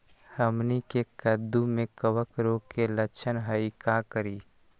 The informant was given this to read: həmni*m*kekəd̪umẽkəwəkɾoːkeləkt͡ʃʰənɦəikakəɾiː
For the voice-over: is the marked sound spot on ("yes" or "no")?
no